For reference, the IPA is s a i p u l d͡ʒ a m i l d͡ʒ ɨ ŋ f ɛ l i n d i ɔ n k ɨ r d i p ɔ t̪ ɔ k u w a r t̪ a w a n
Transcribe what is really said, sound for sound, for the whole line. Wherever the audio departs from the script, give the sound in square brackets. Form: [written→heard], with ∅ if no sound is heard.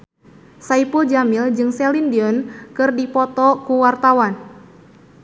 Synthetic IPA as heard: s a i p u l d͡ʒ a m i l d͡ʒ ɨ ŋ [f→s] ɛ l i n d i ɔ n k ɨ r d i p ɔ t̪ ɔ k u w a r t̪ a w a n